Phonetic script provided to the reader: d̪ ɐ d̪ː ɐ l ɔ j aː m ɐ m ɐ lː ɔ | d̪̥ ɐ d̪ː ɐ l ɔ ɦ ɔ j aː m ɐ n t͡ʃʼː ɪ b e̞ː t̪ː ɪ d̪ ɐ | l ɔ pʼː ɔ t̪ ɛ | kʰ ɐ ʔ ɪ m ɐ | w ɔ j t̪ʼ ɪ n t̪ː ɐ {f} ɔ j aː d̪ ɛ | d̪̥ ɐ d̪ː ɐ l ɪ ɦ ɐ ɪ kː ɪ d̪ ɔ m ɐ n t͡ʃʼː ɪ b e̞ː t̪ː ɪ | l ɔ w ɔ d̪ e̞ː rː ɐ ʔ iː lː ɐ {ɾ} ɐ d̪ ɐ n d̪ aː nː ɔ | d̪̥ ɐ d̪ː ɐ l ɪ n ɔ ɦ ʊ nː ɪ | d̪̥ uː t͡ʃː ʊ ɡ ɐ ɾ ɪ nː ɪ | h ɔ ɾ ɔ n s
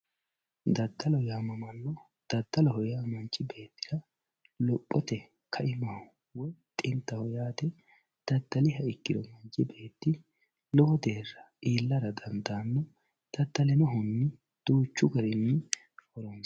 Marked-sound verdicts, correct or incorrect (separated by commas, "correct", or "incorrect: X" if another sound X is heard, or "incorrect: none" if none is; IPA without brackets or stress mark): incorrect: h, correct